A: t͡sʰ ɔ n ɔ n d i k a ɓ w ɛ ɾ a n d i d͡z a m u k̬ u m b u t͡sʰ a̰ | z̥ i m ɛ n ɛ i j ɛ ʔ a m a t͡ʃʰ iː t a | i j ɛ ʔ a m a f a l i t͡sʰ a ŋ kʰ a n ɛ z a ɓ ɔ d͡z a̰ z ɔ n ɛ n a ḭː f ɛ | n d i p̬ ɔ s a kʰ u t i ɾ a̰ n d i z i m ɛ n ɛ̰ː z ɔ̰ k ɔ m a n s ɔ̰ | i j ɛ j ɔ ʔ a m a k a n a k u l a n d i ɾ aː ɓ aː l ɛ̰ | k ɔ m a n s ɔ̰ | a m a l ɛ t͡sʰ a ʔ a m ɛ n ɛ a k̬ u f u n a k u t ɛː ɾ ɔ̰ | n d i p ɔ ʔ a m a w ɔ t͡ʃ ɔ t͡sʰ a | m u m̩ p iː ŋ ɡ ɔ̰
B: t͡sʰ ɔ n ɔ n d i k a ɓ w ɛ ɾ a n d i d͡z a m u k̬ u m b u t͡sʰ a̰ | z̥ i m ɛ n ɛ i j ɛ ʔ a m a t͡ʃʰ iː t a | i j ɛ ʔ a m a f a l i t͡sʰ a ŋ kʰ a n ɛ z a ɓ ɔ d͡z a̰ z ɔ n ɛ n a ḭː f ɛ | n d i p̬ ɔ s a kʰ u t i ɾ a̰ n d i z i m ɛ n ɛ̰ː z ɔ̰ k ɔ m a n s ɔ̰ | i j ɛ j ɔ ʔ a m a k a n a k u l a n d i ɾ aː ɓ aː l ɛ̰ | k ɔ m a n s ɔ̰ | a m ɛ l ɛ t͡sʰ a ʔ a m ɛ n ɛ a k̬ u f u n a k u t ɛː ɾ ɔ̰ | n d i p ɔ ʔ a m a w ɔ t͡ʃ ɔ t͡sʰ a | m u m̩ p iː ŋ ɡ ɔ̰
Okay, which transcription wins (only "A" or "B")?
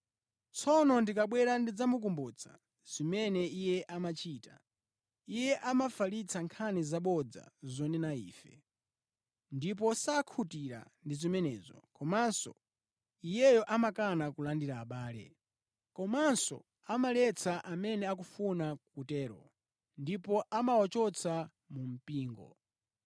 A